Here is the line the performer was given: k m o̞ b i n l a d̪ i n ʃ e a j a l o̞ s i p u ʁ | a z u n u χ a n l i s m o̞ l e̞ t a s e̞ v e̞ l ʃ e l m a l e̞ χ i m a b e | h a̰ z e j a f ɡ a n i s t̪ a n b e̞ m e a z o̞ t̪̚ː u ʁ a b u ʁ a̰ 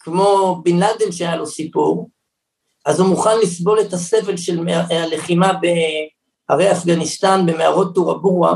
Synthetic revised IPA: k m o̞ b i n l a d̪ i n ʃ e a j a l o̞ s i p u ʁ | a z u m u χ a n l i s b o̞ l e̞ t a s e̞ v e̞ l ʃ e l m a l e̞ χ i m a b e | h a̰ ʁ e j a f ɡ a n i s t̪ a n b e̞ m e a ʁ o̞ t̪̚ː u ʁ a b u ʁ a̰